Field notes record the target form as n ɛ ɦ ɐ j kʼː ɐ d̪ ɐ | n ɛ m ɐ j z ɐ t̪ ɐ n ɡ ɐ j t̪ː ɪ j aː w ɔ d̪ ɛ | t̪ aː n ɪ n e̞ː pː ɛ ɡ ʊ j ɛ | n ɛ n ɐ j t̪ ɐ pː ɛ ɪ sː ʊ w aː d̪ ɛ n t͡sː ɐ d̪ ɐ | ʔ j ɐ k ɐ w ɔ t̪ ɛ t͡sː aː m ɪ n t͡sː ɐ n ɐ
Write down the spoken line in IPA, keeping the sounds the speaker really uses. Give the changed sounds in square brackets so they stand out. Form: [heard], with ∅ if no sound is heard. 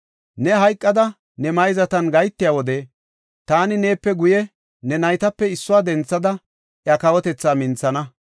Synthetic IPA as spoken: n ɛ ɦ ɐ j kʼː ɐ d̪ ɐ | n ɛ m ɐ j z ɐ t̪ ɐ n ɡ ɐ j t̪ː ɪ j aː w ɔ d̪ ɛ | t̪ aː n ɪ n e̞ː pː ɛ ɡ ʊ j ɛ | n ɛ n ɐ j t̪ ɐ pː ɛ ɪ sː ʊ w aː d̪ ɛ n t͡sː ɐ d̪ ɐ | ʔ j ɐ k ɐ w ɔ t̪ ɛ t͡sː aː m ɪ n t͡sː ɐ n ɐ